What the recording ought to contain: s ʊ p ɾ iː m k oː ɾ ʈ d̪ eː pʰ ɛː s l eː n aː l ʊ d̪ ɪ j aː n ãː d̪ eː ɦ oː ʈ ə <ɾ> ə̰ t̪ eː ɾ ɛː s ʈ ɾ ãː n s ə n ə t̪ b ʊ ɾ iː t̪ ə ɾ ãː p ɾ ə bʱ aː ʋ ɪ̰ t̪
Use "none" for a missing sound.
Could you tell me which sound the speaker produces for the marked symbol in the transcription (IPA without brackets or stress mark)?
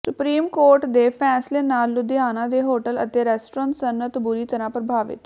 l